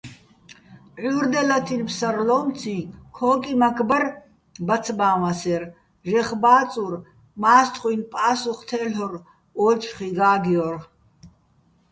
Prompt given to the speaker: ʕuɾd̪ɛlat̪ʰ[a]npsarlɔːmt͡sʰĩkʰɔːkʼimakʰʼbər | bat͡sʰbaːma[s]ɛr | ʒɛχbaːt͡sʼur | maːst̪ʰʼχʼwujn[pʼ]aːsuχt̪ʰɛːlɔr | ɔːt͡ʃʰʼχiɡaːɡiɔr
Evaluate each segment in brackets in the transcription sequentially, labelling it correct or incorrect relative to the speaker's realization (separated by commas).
incorrect, correct, correct